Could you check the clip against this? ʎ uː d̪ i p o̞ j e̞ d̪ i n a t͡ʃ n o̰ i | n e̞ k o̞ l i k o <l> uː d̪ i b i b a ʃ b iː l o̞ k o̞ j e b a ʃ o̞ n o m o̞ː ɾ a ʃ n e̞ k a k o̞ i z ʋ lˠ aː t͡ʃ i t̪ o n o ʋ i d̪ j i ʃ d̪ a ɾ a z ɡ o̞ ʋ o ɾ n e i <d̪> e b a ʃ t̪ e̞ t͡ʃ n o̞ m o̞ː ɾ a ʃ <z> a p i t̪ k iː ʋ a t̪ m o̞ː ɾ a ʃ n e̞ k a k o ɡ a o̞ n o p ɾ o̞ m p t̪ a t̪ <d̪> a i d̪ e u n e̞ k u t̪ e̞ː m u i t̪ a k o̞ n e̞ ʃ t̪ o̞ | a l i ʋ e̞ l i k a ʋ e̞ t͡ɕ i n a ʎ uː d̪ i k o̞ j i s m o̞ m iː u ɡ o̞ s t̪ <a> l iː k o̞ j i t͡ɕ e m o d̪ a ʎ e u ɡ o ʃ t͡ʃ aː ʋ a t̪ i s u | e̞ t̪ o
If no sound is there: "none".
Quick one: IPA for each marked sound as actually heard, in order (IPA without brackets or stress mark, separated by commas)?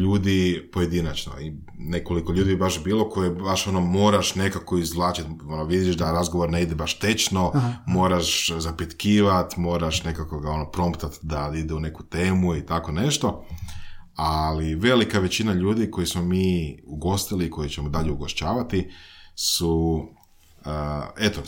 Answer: ʎ, d̪, z, d̪, i